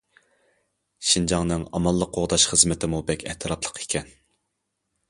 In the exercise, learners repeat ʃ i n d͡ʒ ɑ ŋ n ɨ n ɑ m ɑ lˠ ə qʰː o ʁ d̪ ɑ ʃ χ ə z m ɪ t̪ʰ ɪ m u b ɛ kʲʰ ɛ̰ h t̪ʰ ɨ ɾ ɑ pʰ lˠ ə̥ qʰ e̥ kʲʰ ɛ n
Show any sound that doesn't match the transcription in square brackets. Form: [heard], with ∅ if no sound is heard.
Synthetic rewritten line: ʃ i n d͡ʒ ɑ ŋ n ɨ [ŋ] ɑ m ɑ [lˠː] ə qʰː o ʁ d̪ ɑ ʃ χ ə z m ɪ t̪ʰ ɪ m u b ɛ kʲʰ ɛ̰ h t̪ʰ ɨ ɾ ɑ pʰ lˠ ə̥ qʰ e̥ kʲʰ ɛ n